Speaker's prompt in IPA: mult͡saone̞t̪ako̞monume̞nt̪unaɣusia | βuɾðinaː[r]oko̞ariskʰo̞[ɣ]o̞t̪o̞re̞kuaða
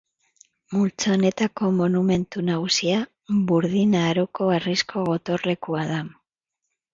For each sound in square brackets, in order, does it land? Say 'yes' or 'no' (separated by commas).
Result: no, yes